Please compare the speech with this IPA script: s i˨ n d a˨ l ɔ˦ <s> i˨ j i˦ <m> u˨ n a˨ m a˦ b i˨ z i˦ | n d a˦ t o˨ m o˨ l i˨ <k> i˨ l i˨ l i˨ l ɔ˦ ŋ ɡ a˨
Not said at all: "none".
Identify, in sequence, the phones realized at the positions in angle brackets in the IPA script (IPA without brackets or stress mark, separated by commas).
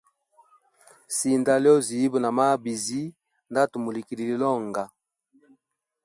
z, b, k